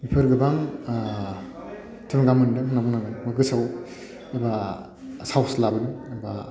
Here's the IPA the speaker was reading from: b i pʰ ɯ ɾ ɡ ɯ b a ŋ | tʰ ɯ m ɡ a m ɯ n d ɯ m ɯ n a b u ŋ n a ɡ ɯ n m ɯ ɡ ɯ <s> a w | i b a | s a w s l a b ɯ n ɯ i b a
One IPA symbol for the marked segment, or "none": s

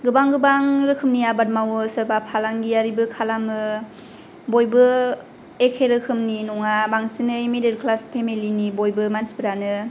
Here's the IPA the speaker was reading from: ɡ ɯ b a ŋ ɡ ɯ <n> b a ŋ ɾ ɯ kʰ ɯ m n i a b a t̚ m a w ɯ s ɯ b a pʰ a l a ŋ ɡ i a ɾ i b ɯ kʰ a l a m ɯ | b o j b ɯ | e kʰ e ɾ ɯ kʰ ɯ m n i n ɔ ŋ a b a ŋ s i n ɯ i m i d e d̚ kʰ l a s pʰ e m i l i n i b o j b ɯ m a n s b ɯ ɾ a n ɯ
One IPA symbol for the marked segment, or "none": none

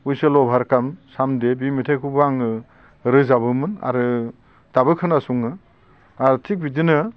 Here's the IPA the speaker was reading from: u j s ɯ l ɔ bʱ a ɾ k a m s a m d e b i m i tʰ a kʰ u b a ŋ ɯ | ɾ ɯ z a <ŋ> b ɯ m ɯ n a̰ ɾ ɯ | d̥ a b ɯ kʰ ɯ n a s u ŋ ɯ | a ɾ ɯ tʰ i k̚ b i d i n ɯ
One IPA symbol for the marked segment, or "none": none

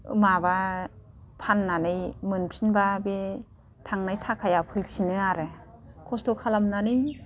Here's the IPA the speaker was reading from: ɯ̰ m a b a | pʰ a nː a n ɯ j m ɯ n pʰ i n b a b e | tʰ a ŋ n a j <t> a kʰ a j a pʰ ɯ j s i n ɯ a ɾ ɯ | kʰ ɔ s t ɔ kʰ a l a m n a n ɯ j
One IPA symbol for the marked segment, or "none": tʰ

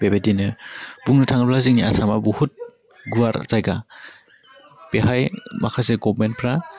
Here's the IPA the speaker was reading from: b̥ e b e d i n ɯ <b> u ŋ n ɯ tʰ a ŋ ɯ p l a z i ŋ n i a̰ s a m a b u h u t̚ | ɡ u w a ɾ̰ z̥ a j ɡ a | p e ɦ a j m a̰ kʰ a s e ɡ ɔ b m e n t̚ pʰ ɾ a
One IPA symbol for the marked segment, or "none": b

